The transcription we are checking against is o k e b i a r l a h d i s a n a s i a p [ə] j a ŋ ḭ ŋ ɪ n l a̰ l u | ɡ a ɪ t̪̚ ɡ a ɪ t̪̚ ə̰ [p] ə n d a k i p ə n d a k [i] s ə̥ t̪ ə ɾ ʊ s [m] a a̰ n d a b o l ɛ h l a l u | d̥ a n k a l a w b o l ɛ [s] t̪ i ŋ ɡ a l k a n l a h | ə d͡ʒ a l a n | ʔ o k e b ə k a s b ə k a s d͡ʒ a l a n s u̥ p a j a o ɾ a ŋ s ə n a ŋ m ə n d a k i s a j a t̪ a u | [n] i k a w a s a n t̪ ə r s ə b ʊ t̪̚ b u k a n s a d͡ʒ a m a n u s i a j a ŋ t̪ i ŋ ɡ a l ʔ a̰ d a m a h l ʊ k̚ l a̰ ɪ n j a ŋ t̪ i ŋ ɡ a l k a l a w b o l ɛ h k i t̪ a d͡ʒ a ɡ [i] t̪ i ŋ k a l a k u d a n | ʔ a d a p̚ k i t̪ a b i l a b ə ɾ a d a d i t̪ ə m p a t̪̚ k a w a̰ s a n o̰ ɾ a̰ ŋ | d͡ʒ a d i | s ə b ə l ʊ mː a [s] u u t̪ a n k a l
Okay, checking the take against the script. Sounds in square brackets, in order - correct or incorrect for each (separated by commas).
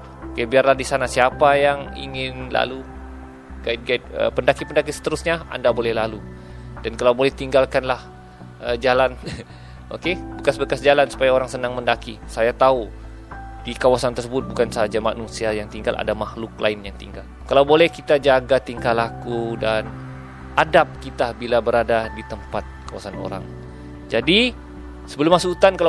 incorrect, correct, correct, incorrect, incorrect, incorrect, incorrect, correct